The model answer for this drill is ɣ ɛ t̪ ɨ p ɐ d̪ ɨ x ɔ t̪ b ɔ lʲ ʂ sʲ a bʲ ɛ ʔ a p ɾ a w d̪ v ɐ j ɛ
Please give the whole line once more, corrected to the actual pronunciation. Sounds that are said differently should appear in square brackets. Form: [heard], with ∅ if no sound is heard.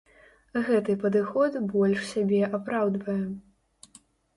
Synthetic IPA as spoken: ɣ ɛ t̪ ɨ p ɐ d̪ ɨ x ɔ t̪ b ɔ lʲ ʂ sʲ a bʲ ɛ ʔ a p ɾ a w d̪ v ɐ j ɛ